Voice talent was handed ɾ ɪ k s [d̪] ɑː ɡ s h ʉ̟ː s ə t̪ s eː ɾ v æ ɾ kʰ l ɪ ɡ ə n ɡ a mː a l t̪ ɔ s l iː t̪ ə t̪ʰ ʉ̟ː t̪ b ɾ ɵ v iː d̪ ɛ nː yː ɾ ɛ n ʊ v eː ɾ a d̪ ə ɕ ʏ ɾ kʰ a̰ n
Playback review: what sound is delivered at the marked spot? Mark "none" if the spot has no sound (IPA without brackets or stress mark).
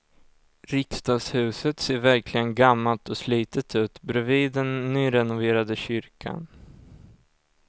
t̪